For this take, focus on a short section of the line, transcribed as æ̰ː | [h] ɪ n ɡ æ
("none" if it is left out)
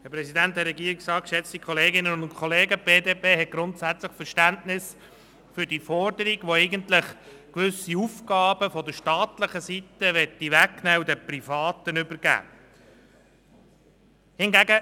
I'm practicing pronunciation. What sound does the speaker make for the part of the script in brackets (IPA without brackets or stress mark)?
h